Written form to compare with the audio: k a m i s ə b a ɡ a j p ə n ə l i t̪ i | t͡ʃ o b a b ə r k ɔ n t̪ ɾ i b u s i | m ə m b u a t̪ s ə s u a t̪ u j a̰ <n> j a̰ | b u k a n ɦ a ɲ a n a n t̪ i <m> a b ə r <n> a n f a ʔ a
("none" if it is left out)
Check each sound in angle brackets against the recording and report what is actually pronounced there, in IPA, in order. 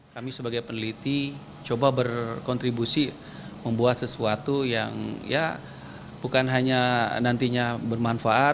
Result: ŋ, ɲ, m

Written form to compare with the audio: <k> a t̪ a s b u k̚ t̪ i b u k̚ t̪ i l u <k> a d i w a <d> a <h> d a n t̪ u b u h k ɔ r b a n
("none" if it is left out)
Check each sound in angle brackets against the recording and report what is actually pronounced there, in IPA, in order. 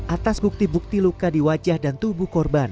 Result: ʔ, k, d͡ʒ, h

